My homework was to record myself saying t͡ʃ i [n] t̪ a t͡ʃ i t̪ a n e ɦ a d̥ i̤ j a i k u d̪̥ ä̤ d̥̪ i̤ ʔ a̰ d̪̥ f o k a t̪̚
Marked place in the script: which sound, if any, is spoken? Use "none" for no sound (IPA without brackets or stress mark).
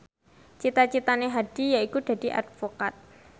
none